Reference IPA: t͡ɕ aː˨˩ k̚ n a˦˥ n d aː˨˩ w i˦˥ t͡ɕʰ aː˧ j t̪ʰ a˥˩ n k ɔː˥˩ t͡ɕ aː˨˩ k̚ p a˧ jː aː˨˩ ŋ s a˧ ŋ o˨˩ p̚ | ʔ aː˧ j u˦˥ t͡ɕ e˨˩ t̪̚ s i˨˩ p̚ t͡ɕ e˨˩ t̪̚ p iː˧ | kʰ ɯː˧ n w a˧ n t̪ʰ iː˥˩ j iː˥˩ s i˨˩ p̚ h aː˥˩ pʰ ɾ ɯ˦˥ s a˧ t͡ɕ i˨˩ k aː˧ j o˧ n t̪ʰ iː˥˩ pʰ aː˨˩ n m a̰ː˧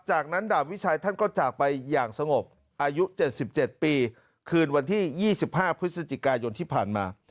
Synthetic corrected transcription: t͡ɕ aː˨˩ k̚ n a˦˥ n d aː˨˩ w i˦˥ t͡ɕʰ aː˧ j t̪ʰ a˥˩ n k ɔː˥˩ t͡ɕ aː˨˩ k̚ p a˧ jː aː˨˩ ŋ s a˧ ŋ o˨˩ p̚ | ʔ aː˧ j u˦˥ t͡ɕ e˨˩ t̪̚ s i˨˩ p̚ t͡ɕ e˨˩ t̪̚ p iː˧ | kʰ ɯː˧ n w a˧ n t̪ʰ iː˥˩ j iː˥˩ s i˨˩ p̚ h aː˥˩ pʰ ɾ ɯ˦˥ s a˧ t͡ɕ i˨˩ k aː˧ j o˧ n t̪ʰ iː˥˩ pʰ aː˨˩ n m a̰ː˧

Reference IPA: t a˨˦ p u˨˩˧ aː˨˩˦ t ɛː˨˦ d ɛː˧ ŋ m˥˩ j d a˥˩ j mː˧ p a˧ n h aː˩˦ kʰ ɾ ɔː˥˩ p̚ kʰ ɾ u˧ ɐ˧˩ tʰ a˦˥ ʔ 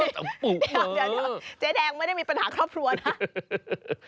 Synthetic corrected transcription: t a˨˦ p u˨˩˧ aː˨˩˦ t͡ɕ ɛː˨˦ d ɛː˧ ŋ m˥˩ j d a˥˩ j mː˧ p a˧ n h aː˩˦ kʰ ɾ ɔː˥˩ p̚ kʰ ɾ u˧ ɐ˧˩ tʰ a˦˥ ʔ

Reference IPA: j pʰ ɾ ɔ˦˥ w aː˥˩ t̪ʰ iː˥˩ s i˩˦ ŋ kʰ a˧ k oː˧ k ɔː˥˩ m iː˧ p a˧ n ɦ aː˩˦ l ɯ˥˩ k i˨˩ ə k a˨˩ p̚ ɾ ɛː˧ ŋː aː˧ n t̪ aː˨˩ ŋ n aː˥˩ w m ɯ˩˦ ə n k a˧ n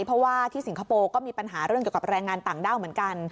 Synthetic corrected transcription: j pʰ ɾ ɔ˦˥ w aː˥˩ t̪ʰ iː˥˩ s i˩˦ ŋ kʰ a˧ p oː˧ k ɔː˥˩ m iː˧ p a˧ n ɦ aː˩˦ ɾ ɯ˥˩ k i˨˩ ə k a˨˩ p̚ ɾ ɛː˧ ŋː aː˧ n t̪ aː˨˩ ŋ d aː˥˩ w m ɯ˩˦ ə n k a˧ n

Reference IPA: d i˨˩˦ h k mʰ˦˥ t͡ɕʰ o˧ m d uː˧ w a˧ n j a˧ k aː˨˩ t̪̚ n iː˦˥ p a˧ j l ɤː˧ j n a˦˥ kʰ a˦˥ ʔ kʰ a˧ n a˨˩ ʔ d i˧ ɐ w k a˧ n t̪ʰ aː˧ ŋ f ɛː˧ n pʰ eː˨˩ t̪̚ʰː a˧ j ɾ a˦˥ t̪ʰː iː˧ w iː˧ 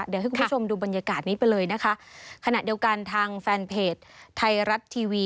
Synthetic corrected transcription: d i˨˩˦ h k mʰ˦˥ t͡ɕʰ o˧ m d uː˧ b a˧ n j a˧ k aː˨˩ t̪̚ n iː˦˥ p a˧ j l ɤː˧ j n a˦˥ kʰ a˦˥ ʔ kʰ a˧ n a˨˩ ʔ d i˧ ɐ w k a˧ n t̪ʰ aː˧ ŋ f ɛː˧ n pʰ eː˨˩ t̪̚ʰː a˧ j ɾ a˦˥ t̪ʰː iː˧ w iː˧

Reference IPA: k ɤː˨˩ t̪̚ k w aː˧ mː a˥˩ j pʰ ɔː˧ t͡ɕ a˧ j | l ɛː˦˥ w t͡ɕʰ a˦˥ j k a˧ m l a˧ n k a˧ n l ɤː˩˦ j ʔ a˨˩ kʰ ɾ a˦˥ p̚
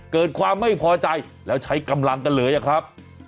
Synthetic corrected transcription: k ɤː˨˩ t̪̚ kʰ w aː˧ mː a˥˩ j pʰ ɔː˧ t͡ɕ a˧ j | l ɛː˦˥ w t͡ɕʰ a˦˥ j k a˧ m l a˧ ŋ k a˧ n l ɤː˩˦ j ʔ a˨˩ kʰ ɾ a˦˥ p̚

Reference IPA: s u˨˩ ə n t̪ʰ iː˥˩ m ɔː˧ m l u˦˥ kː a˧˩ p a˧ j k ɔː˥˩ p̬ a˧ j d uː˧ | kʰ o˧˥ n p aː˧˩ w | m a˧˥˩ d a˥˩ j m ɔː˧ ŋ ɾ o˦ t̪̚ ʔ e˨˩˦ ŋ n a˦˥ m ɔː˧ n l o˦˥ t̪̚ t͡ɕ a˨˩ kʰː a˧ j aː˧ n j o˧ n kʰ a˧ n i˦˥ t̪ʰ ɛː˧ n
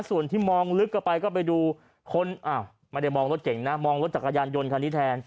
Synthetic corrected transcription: s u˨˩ ə n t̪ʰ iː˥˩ m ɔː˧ ŋ l ɯ˦˥ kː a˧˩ p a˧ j k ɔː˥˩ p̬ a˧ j d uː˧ | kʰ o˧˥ n ʔ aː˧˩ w | m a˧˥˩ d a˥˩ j m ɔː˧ ŋ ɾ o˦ t̪̚ k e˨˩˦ ŋ n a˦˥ m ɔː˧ ŋ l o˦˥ t̪̚ t͡ɕ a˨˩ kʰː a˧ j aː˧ n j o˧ n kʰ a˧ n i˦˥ t̪ʰ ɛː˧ n

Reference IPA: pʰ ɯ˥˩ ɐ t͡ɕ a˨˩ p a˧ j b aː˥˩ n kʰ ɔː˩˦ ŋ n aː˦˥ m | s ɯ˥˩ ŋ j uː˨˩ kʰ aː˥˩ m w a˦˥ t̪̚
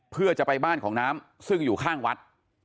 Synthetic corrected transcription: pʰ ɯ˥˩ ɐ t͡ɕ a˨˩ p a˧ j b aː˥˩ n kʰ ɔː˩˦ ŋ n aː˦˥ m | s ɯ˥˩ ŋ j uː˨˩ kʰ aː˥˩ ŋ w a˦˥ t̪̚

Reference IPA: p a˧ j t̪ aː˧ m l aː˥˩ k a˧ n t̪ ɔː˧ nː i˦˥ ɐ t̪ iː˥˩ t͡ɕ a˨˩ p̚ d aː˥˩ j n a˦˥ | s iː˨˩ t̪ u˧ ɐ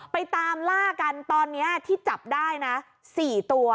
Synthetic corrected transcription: p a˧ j t̪ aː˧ m l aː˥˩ k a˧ n t̪ ɔː˧ nː i˦˥ ɐ t̪ʰ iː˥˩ t͡ɕ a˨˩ p̚ d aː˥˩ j n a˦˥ | s iː˨˩ t̪ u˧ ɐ

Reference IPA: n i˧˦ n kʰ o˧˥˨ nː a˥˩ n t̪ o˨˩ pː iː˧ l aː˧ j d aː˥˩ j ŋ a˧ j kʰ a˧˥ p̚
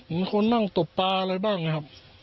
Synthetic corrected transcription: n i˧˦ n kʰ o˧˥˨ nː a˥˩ ŋ t̪ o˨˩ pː aː˧ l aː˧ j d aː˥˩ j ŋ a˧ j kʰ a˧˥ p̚

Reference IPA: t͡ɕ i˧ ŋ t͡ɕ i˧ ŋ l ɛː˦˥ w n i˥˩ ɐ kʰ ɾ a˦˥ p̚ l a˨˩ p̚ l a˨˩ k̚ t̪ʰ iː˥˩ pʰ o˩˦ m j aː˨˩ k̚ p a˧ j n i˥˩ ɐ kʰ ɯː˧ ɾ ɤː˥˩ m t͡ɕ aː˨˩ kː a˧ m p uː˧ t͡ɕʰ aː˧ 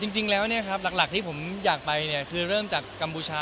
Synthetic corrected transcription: t͡ɕ i˧ ŋ t͡ɕ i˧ ŋ l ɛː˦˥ w n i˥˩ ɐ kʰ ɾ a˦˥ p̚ l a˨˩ k̚ l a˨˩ k̚ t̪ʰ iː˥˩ pʰ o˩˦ m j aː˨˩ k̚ p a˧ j n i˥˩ ɐ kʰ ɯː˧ ɾ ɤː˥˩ m t͡ɕ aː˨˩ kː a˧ m p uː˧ t͡ɕʰ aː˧

